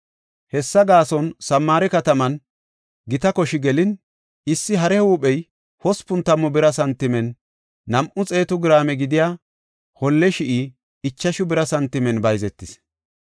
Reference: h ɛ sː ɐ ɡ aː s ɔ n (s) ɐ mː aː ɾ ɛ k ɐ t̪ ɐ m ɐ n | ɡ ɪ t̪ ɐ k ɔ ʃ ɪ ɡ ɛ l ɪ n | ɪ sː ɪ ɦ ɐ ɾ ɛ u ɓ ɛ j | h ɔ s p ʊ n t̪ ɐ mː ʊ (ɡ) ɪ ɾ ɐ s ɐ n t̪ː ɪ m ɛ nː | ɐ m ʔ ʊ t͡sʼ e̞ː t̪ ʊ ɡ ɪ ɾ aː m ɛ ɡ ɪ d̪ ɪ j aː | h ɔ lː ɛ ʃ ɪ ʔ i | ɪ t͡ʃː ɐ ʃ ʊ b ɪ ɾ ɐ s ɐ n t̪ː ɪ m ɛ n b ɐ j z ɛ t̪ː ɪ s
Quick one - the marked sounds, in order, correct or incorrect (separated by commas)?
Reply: correct, incorrect